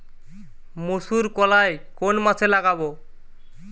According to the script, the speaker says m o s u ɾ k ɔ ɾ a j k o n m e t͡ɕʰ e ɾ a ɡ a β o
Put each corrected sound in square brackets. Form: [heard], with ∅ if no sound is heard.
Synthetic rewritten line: m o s u ɾ k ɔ [l] a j k o n m [a] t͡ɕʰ e [l] a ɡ a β o

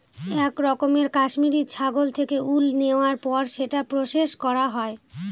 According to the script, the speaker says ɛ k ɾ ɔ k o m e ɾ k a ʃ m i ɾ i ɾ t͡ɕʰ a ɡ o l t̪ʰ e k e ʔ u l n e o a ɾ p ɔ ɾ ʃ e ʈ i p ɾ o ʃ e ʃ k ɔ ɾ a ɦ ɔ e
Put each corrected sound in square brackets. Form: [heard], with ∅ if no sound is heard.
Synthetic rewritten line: ɛ k ɾ ɔ k o m e ɾ k a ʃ m i ɾ i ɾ t͡ɕʰ a ɡ o l t̪ʰ e k e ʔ u l n e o a ɾ p ɔ ɾ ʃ e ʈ [a] p ɾ o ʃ e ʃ k ɔ ɾ a ɦ ɔ e

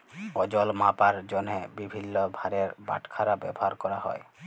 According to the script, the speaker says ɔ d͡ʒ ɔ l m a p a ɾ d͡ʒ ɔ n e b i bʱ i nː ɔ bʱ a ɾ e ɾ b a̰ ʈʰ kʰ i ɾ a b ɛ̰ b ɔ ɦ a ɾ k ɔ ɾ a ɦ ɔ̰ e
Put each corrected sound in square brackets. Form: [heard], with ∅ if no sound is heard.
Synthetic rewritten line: ɔ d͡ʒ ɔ l m a p a ɾ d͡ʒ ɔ n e b i bʱ i nː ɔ bʱ a ɾ e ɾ b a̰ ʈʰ kʰ [a] ɾ a b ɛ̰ b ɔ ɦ a ɾ k ɔ ɾ a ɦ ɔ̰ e

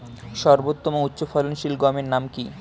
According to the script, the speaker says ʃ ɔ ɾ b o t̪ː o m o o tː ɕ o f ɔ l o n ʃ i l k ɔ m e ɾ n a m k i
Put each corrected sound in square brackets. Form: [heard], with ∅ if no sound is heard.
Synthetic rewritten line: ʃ ɔ ɾ b o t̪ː o m o [u] tː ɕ o f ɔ l o n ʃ i l [ɡ] ɔ m e ɾ n a m k i

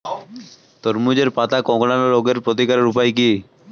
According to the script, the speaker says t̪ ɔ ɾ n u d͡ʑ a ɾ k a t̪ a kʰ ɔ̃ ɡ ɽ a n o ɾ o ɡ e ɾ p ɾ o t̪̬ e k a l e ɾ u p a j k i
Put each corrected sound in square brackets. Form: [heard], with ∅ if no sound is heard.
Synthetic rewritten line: t̪ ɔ ɾ [m] u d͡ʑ [e] ɾ [p] a t̪ a [k] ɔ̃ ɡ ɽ a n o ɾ o ɡ e ɾ p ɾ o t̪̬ [i] k a [ɾ] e ɾ u p a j k i

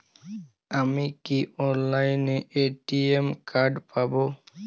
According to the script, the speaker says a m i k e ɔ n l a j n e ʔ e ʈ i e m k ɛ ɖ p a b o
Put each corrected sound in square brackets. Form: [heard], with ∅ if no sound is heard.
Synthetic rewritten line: a m i k [i] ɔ n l a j n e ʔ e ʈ i e m k [a] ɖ p a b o

